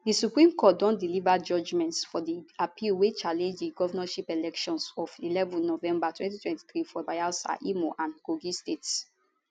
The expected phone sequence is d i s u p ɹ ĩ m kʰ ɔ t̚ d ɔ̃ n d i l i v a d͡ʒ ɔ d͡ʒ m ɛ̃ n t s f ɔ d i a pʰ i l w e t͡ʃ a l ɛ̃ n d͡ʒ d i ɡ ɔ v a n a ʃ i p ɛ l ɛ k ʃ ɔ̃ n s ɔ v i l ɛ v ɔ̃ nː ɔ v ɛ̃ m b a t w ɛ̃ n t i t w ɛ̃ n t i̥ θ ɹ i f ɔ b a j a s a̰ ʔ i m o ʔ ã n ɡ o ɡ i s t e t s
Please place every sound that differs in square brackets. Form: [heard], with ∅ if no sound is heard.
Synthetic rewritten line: d i s u p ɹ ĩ m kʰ ɔ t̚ d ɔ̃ n d i l i v a d͡ʒ ɔ d͡ʒ m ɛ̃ n t s f ɔ d i a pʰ i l w e t͡ʃ a l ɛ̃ n d͡ʒ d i ɡ ɔ v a n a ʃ i p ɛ l ɛ k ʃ ɔ̃ n s ɔ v i l ɛ v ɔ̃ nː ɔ v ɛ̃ m b a t w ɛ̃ n t i t w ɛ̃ n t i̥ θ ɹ i f ɔ b a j a s a̰ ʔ i m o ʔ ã n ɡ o ɡ i s t e t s

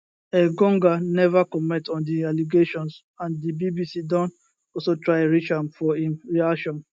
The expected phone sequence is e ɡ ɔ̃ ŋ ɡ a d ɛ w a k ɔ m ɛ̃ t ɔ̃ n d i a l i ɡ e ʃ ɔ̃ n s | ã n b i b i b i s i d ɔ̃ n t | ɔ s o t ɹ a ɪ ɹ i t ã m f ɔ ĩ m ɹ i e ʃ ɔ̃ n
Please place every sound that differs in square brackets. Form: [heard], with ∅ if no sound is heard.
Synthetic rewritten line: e ɡ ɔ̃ ŋ ɡ a [n] ɛ [v] a k ɔ m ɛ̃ t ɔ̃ n d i a l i ɡ e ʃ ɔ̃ n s | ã n [d] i b i b i s i d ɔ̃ n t | ɔ s o t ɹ a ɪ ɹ i [t͡ʃ] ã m f ɔ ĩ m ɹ i [a] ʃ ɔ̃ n

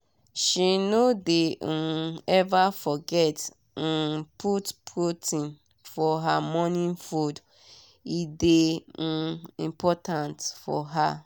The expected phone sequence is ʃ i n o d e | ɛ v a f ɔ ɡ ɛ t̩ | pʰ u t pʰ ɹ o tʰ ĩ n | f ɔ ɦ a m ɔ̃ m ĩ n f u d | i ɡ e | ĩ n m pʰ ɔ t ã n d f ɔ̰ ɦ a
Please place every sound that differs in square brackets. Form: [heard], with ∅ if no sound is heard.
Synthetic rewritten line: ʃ i n o d e | ɛ v a f ɔ ɡ ɛ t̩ | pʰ u t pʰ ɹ o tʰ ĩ n | f ɔ ɦ a m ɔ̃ [n] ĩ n f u d | i [d] e | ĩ [∅] m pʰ ɔ t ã n [t] f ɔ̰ ɦ a

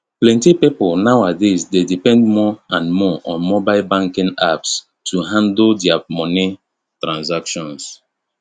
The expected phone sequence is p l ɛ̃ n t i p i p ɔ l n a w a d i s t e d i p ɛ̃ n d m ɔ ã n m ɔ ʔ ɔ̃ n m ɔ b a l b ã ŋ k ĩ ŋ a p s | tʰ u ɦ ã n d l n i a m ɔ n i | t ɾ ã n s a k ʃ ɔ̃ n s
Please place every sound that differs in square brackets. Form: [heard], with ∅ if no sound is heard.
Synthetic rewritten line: p l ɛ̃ n t i p i p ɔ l n a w a d [e] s [d] e d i p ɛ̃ n d m ɔ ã n m ɔ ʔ ɔ̃ n m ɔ b a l b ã ŋ k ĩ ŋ a p s | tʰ u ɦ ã n d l [d] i a m ɔ n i | t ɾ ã n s a k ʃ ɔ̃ n s

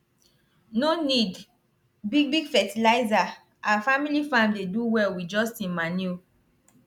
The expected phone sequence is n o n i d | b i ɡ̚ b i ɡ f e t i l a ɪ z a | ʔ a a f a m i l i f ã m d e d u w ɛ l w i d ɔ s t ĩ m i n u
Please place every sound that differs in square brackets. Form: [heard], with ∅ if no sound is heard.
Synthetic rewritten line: n o n i d | b i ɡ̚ b i ɡ f [ɛ] t i l a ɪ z a | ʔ a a f a m i l i f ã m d e d u w ɛ l w i [d͡ʒ] ɔ s t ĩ m [a] n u

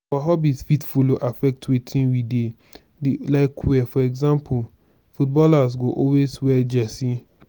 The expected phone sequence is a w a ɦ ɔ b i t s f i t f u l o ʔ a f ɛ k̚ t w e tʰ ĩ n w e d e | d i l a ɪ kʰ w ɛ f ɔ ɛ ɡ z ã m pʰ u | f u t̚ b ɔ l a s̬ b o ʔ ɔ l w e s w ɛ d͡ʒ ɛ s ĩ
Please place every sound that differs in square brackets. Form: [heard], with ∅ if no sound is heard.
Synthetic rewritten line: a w a ɦ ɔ b i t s f i t f u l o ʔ a f ɛ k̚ t w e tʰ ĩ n w [i] d e | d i l a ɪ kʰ w ɛ f ɔ ɛ ɡ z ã m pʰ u | f u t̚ b ɔ l a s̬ [ɡ] o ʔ ɔ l w e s w ɛ d͡ʒ ɛ s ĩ

